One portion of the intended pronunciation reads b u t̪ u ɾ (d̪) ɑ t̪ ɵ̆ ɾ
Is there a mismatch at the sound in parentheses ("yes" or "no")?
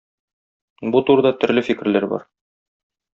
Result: no